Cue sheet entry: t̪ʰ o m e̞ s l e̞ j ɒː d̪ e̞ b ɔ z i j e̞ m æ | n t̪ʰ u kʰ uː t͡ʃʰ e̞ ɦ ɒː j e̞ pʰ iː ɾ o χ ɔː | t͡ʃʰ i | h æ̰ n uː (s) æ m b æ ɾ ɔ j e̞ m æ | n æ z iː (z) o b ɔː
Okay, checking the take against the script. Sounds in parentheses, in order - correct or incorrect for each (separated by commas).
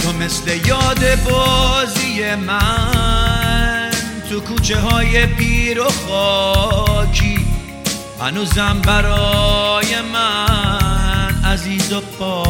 incorrect, correct